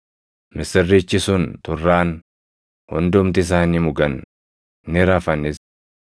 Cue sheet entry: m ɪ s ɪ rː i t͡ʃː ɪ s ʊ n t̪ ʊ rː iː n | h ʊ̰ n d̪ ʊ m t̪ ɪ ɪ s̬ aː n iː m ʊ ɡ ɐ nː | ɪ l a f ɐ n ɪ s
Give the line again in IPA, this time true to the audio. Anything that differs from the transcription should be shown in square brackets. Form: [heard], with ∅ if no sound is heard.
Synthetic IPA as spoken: m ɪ s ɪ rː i t͡ʃː ɪ s ʊ n t̪ ʊ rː [aː] n | h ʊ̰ n d̪ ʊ m t̪ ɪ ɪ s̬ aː n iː m ʊ ɡ ɐ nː | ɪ [ɾ] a f ɐ n ɪ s